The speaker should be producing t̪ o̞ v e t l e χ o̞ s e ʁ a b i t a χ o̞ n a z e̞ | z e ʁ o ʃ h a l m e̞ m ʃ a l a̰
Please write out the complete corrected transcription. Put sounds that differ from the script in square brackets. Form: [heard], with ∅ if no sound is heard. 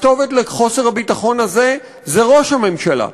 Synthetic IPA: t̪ o̞ v e t l e χ o̞ s e ʁ a b i t a χ o̞ n a z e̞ | z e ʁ o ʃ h a [∅] m e̞ m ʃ a l a̰